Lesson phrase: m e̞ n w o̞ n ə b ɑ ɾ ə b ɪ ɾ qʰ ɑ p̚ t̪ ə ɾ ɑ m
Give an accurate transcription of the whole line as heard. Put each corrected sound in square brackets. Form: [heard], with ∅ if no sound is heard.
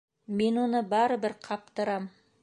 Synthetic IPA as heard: m e̞ n w o̞ n ə b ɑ ɾ ə b ɪ ɾ qʰ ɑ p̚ t̪ ə ɾ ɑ m

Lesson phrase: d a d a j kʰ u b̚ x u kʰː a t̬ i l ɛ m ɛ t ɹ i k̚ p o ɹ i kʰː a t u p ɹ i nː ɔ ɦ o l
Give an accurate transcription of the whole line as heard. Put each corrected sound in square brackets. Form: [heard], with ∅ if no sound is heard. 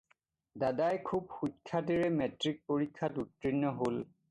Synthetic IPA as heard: d a d a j kʰ u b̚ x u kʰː a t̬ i [ɹ] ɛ m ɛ t ɹ i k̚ p o ɹ i kʰː a t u [t] ɹ i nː ɔ ɦ o l

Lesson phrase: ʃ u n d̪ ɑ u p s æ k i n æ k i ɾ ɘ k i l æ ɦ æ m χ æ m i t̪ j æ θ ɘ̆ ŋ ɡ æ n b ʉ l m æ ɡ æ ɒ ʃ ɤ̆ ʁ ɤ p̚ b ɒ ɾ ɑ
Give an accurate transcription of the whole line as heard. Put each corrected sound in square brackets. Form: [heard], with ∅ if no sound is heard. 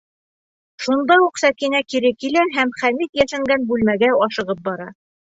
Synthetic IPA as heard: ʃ u n d̪ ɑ u [q] s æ k i n æ k i ɾ ɘ k i l æ ɦ æ m χ æ m i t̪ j æ [ʃ] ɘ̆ ŋ ɡ æ n b ʉ l m æ ɡ æ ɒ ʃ ɤ̆ ʁ ɤ p̚ b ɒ ɾ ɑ

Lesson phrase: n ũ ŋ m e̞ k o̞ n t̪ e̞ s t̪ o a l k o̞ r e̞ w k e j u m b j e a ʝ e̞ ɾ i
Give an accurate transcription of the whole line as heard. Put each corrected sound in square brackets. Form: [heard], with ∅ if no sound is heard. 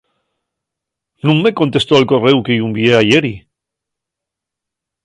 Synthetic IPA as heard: n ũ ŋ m e̞ k o̞ n t̪ e̞ s t̪ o a l k o̞ r e̞ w k e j u m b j e a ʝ e̞ ɾ i

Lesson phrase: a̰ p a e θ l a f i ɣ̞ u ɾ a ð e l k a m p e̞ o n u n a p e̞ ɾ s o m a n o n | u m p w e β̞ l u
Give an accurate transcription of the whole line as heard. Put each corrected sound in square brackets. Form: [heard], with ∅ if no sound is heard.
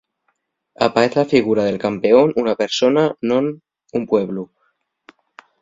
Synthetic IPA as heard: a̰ p a e θ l a f i ɣ̞ u ɾ a ð e l k a m p e̞ o n u n a p e̞ ɾ s o [n] a n o n | u m p w e β̞ l u

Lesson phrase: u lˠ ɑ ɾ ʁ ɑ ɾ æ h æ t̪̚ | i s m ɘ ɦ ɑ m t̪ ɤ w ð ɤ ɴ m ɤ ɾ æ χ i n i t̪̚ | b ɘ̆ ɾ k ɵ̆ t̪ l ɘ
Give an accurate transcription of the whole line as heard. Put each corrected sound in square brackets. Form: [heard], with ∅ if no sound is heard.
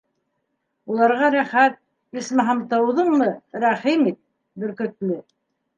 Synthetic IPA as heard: u lˠ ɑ ɾ ʁ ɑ ɾ æ [χ] æ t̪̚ | i s m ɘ ɦ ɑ m t̪ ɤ w ð ɤ ɴ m ɤ ɾ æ χ i [m] i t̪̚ | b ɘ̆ ɾ k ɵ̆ t̪ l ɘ

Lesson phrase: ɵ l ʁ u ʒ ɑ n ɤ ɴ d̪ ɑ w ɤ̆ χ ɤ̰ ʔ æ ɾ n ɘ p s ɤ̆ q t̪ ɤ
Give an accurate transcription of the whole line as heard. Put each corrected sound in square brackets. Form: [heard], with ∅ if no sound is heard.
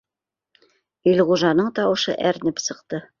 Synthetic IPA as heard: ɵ l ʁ u ʒ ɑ n ɤ ɴ [t̪] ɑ w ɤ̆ [ʃ] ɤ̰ ʔ æ ɾ n ɘ p s ɤ̆ q t̪ ɤ

